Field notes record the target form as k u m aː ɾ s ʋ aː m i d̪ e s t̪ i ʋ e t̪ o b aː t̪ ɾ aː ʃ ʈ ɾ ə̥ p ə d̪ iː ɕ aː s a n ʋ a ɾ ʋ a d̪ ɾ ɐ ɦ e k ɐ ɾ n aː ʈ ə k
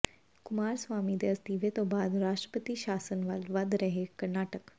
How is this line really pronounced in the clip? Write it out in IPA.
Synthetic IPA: k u m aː ɾ s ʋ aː m i d̪ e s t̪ i ʋ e t̪ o b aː d̪ ɾ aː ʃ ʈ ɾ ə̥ p ə t̪ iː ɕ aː s ə n ʋ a l ʋ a d̪ ɾ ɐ ɦ e k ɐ ɾ n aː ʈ ə k